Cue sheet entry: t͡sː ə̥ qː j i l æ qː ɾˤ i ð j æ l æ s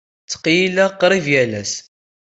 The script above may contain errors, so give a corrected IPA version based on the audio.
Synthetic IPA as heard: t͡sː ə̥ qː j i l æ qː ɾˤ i v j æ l æ s